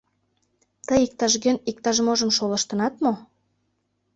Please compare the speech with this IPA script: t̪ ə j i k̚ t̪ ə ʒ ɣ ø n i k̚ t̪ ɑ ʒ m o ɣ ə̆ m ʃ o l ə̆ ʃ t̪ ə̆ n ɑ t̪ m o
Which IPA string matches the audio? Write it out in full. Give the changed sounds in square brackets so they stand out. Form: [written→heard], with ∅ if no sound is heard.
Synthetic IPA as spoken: t̪ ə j i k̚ t̪ [ə→ɑ] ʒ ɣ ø n i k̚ t̪ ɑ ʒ m o [ɣ→ʒ] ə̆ m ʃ o l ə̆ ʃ t̪ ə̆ n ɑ t̪ m o